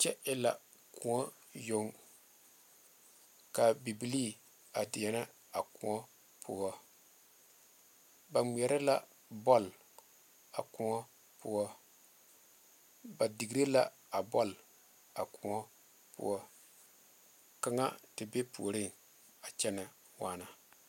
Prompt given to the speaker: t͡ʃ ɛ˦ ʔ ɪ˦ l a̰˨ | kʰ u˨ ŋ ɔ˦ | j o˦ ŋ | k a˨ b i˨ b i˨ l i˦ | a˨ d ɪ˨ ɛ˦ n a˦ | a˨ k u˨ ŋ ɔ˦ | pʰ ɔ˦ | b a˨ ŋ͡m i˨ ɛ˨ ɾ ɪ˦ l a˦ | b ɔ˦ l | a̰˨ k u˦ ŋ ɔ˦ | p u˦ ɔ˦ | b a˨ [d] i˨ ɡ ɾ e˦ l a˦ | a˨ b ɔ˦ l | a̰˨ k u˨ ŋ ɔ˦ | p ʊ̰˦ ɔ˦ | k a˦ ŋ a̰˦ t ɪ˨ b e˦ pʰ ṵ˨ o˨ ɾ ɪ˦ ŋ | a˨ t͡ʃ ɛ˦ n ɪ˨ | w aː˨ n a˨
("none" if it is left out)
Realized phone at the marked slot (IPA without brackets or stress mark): d